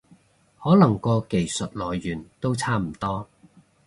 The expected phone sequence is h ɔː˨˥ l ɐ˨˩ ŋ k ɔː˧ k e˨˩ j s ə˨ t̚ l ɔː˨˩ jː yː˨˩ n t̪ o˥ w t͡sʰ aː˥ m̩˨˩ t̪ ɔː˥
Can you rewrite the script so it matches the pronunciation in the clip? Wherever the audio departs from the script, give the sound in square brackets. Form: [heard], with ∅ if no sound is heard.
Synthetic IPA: h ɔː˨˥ l ɐ˨˩ ŋ k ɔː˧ k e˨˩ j s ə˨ t̚ l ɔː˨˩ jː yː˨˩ n t̪ o˥ w t͡sʰ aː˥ m̩˨˩ t̪ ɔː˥